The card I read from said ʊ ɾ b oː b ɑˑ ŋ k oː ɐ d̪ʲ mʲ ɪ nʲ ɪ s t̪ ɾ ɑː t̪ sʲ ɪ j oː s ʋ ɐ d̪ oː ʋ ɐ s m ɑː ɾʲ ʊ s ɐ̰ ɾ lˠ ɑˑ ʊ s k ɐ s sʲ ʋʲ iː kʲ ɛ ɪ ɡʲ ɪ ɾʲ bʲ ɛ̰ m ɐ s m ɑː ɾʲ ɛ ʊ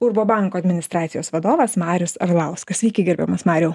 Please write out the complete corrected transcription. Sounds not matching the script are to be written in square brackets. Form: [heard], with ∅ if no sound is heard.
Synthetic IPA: ʊ ɾ b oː b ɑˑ ŋ k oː ɐ d̪ʲ mʲ ɪ nʲ ɪ s t̪ ɾ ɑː t̪ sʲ ɪ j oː s ʋ ɐ d̪ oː ʋ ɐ s m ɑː ɾʲ ʊ s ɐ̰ ɾ lˠ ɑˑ ʊ s k ɐ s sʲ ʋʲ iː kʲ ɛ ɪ ɡʲ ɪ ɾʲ bʲ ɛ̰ m ɐ s m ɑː ɾʲ ɛ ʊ